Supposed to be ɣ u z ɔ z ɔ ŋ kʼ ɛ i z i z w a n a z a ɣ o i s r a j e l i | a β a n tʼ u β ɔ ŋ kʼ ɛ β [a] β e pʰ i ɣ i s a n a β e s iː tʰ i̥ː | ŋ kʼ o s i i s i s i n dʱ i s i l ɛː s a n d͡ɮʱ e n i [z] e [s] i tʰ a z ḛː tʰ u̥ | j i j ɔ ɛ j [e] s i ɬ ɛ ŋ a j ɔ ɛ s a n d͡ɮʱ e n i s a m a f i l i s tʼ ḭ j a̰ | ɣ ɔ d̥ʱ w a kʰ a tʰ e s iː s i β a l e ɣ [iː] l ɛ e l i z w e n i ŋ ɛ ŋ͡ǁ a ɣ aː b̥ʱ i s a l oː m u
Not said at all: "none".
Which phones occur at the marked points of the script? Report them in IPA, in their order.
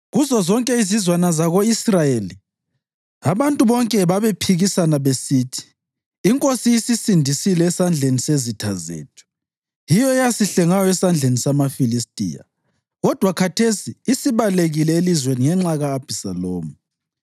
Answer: a, s, z, a, i

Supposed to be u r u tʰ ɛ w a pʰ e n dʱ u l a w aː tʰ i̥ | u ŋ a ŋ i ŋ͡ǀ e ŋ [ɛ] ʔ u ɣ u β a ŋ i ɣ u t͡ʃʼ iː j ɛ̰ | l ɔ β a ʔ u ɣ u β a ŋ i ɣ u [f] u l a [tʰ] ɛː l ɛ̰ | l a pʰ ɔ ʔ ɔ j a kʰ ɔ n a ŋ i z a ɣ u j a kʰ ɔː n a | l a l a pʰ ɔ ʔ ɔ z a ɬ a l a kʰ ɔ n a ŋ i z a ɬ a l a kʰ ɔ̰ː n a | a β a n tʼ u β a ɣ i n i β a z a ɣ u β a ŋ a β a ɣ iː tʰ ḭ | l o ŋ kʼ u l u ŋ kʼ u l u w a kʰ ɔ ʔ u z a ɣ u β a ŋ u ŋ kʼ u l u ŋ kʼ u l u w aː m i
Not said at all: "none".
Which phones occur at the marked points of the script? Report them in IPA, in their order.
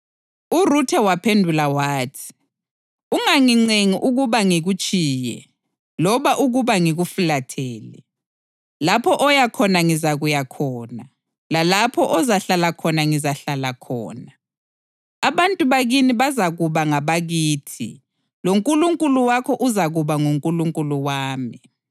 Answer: i, f, tʰ

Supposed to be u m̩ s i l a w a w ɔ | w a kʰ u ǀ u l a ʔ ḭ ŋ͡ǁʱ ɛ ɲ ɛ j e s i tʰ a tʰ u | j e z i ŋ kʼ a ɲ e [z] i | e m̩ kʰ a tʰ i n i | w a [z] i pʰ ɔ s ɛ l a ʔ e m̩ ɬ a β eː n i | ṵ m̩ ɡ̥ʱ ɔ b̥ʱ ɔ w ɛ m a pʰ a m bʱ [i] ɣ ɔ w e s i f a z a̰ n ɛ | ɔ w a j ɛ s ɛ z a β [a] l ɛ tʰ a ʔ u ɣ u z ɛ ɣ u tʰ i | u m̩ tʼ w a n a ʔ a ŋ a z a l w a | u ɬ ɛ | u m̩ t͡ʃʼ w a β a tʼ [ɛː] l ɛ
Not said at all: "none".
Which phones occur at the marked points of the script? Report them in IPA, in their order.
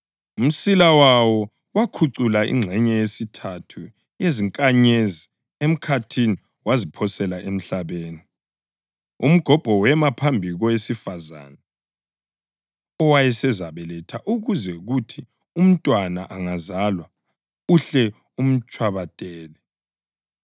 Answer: z, z, i, ɛ, ɛː

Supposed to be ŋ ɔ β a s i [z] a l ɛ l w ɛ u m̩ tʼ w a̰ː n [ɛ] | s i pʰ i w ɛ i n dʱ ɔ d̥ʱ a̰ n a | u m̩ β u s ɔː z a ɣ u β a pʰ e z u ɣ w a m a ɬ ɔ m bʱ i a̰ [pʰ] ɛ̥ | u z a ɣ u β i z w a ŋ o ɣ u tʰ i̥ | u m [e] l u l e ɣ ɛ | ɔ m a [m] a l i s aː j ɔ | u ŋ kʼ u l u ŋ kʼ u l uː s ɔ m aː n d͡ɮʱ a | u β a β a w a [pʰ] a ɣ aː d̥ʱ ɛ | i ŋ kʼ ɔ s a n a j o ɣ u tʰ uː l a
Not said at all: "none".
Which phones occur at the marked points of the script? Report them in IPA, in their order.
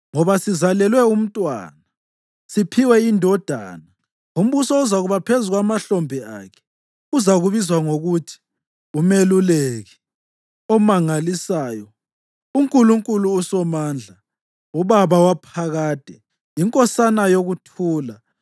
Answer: z, a, kʰ, e, ŋ, pʰ

